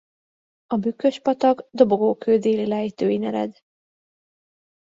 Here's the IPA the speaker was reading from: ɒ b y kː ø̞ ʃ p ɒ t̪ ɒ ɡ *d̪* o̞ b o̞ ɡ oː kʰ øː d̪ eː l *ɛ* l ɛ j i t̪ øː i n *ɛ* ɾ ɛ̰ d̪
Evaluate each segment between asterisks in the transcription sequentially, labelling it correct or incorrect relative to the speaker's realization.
correct, incorrect: i, correct

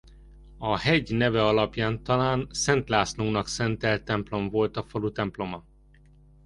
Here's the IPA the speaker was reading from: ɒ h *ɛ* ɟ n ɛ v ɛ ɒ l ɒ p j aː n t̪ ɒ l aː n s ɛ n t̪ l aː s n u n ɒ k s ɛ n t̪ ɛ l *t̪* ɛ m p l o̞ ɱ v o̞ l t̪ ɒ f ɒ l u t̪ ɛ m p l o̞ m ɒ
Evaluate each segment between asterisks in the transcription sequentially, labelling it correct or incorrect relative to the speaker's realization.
correct, correct

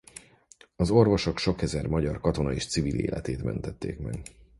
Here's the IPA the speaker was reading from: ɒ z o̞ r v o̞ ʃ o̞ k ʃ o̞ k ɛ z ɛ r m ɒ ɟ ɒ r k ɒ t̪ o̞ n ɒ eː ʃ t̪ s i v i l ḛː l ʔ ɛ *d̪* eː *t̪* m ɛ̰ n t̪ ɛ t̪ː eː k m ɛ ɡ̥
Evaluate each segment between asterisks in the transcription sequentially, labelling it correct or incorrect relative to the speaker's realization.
incorrect: t̪, correct

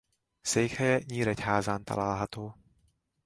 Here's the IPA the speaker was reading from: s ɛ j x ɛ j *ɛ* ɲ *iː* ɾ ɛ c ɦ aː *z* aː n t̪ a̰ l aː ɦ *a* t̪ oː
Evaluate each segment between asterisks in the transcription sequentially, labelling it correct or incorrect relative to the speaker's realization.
correct, correct, correct, correct

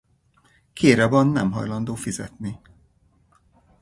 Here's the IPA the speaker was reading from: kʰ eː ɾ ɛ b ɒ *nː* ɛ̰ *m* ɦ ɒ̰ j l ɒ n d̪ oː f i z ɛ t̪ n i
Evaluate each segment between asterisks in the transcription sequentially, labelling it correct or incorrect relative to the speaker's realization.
correct, correct

